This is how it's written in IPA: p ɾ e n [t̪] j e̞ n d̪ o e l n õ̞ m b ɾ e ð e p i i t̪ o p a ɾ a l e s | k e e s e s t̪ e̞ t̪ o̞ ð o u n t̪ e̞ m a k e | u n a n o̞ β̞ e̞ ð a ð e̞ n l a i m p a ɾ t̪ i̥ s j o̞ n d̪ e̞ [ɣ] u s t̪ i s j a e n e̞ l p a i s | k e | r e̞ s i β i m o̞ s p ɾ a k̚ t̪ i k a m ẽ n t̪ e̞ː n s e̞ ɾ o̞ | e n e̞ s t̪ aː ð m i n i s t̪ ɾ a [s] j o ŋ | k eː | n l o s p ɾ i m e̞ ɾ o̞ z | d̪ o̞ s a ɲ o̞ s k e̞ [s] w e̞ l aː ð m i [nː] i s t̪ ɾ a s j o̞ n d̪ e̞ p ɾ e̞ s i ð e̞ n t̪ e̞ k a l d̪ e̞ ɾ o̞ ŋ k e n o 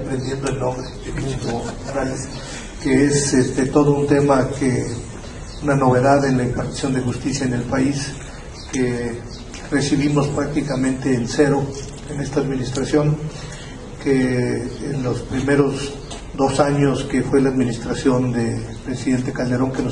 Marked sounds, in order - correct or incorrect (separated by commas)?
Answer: incorrect, incorrect, correct, incorrect, incorrect